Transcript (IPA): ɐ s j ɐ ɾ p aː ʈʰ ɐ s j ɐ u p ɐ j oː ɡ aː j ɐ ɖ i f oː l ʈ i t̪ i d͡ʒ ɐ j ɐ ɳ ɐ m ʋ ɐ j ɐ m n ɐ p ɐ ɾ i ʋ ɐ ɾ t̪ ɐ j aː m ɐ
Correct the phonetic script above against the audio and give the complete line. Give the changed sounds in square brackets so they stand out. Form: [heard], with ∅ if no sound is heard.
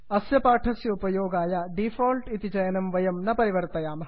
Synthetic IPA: ɐ s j ɐ [∅] p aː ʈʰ ɐ s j ɐ u p ɐ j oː ɡ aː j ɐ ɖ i f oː l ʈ i t̪ i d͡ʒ ɐ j ɐ [n] ɐ m ʋ ɐ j ɐ m n ɐ p ɐ ɾ i ʋ ɐ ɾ t̪ ɐ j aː m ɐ